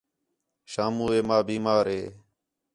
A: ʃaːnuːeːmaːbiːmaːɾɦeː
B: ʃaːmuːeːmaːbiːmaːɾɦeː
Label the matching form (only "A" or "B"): B